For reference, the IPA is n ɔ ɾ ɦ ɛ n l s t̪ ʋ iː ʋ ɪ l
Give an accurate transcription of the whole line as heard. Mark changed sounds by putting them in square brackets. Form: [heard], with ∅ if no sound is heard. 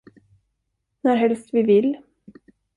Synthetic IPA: n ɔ ɾ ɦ ɛ [∅] l s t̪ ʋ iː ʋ ɪ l